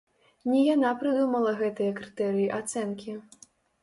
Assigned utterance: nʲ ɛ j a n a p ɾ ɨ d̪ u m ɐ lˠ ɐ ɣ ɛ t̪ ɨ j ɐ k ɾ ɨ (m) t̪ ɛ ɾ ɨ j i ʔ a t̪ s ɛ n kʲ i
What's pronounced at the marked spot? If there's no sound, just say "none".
none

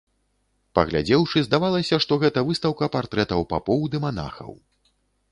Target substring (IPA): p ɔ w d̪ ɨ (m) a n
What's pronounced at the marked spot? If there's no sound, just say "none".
m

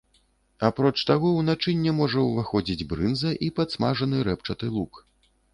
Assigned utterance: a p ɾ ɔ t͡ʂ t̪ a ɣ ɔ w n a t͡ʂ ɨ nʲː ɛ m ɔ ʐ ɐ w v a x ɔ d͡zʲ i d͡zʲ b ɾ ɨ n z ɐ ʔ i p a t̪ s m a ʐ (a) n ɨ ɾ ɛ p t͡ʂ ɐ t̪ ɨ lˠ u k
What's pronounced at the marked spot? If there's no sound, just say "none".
ɐ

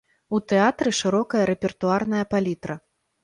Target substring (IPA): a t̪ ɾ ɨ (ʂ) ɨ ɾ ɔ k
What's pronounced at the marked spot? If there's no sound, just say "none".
ʂ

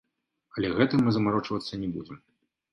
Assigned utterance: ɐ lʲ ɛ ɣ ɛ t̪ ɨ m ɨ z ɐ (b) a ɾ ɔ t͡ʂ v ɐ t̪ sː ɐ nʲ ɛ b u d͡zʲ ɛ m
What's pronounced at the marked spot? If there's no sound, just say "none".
m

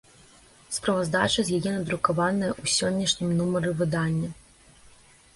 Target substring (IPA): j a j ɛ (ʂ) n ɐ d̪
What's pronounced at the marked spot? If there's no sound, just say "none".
none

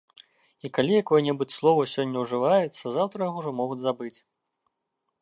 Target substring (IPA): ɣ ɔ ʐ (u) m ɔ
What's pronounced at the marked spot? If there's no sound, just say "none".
ɔ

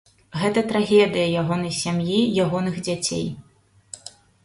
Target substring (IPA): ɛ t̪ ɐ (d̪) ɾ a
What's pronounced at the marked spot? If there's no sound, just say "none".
t̪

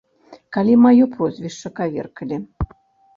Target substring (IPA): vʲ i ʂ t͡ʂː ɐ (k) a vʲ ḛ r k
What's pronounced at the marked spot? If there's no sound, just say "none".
k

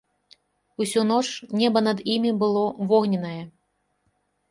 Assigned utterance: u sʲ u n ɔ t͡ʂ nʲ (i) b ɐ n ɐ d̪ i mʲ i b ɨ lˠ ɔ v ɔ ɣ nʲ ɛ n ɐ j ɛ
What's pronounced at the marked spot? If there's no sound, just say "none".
ɛ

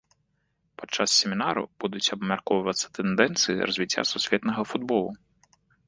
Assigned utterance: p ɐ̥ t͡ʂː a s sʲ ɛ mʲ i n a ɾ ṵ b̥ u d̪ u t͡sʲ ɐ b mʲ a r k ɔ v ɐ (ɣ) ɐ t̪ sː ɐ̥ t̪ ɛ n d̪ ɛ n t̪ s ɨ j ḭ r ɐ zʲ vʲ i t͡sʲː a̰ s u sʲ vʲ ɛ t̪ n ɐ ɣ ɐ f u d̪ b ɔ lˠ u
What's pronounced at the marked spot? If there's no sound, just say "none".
v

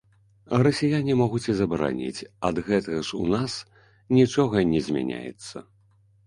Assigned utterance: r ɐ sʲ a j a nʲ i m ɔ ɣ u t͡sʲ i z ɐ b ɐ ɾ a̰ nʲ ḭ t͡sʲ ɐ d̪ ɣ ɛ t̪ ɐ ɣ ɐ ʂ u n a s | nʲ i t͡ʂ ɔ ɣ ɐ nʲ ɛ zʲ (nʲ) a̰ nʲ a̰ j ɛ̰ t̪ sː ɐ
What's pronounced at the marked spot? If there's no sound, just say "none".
mʲ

